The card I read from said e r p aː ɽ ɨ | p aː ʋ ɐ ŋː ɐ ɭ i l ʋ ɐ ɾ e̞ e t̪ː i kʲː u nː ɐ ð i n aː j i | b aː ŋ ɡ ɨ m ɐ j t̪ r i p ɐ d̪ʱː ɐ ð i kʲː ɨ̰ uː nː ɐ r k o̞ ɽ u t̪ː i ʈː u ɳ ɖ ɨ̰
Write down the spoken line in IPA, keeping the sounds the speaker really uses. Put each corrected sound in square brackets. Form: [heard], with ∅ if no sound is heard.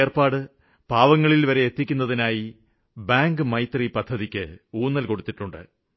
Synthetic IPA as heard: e r p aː ɽ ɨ | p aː ʋ ɐ ŋː ɐ ɭ i l ʋ ɐ ɾ e̞ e t̪ː i kʲː u nː ɐ ð i n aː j i | b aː ŋ ɡ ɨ m ɐ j t̪ r i p ɐ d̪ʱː ɐ ð i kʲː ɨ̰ uː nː ɐ [l] k o̞ ɽ u t̪ː i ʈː u ɳ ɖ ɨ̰